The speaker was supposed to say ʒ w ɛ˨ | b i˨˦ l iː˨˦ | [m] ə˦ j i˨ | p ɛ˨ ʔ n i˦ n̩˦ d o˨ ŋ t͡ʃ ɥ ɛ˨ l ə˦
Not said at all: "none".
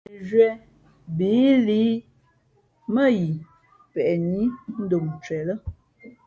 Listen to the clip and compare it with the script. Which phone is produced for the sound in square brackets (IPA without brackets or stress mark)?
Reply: m